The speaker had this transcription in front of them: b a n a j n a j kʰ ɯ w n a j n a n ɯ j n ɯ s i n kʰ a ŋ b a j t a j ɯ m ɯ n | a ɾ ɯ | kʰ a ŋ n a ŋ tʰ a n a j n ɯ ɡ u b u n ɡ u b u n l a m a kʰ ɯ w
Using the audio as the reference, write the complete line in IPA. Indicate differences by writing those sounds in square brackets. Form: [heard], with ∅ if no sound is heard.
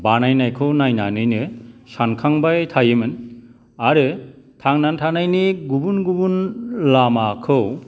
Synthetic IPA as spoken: b a n a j n a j kʰ ɯ w n a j n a n ɯ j n ɯ s [a] n kʰ a ŋ b a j [tʰ] a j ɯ m ɯ n | a ɾ ɯ | [tʰ] a ŋ n a [n] tʰ a n a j n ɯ ɡ u b u n ɡ u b u n l a m a kʰ ɯ w